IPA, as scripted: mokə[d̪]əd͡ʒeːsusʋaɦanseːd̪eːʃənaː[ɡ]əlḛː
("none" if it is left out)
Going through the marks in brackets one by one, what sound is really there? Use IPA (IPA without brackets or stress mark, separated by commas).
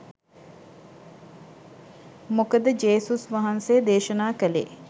d̪, k